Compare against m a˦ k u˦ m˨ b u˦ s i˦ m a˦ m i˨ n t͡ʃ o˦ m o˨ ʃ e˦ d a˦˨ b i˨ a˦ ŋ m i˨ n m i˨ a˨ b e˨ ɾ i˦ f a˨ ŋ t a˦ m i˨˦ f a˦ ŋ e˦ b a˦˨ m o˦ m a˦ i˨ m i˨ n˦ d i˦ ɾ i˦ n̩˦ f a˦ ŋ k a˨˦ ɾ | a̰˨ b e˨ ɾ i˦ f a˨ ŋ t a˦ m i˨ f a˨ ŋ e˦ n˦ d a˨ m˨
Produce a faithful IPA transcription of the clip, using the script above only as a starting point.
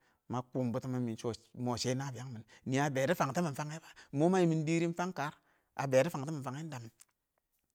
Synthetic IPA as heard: m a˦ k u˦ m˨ b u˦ t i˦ m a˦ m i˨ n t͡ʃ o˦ m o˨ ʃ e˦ n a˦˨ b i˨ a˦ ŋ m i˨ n n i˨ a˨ b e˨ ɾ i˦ f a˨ ŋ t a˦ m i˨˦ f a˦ ŋ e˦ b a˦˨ m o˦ m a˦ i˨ m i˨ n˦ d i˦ ɾ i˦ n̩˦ f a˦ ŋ k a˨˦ ɾ | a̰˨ b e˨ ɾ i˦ f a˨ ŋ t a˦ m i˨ f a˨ ŋ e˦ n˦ d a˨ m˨